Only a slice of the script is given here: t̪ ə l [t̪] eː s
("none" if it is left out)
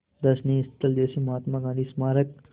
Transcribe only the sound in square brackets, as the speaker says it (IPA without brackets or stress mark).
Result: d̪